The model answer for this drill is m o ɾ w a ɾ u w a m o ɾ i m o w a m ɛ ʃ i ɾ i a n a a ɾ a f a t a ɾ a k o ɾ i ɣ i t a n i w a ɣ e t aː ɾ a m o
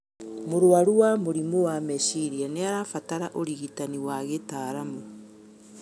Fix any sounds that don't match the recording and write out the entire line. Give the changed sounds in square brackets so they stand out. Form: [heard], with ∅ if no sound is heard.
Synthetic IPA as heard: m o ɾ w a ɾ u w a m o ɾ i m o w a m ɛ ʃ i ɾ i a n [e] a ɾ a f a t a ɾ a [ʔ] o ɾ i ɣ i t a n i w a ɣ e t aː ɾ a m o